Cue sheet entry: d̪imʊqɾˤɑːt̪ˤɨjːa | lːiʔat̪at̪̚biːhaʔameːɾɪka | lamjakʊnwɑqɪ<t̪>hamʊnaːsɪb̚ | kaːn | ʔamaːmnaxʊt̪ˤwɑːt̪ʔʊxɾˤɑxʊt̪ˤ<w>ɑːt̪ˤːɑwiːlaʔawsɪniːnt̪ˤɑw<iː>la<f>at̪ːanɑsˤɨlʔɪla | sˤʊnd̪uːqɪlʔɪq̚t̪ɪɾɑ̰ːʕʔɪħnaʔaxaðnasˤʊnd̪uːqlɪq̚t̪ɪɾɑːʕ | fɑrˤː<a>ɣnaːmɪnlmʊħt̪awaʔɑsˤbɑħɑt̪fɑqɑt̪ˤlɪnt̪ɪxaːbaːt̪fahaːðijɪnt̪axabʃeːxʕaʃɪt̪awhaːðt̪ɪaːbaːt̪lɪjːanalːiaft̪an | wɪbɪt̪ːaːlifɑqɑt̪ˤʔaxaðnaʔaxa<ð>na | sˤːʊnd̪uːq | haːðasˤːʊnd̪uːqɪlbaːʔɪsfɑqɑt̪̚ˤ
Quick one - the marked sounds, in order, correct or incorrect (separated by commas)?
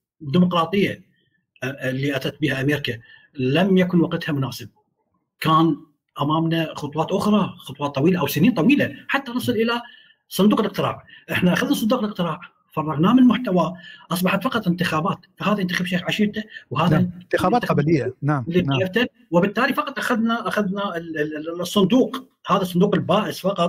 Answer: correct, correct, correct, incorrect, incorrect, correct